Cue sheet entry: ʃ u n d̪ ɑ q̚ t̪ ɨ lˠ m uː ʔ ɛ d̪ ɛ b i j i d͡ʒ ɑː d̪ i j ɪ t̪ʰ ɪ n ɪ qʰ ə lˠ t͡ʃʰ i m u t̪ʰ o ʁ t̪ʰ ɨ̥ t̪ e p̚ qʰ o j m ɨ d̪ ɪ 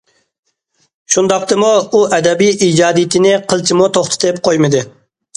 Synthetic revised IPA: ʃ u n d̪ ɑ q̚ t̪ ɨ m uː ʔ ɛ d̪ ɛ b i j i d͡ʒ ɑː d̪ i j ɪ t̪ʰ ɪ n ɪ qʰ ə lˠ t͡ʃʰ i m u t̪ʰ o χ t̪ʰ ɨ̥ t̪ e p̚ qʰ o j m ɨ d̪ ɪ